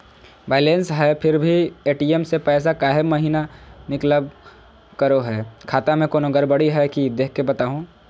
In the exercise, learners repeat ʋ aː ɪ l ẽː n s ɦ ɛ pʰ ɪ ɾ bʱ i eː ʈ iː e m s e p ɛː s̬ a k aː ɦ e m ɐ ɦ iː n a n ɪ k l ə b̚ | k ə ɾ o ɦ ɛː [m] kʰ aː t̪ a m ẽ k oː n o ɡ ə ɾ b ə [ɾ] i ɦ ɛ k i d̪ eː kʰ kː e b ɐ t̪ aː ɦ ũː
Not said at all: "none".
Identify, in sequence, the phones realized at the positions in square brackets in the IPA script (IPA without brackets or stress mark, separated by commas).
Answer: none, ɽ